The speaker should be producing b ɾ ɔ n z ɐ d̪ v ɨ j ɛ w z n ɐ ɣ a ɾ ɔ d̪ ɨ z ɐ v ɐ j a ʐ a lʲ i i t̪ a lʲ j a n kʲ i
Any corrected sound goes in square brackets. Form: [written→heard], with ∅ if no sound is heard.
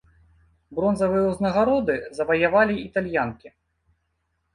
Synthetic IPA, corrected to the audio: b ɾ ɔ n z ɐ [d̪→∅] v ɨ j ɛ w z n ɐ ɣ a ɾ ɔ d̪ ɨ z ɐ v ɐ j a [ʐ→v] a lʲ i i t̪ a lʲ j a n kʲ i